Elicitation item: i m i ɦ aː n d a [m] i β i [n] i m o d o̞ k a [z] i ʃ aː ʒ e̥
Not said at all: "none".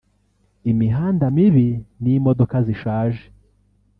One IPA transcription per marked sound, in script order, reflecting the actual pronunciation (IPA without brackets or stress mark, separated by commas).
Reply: m, n, z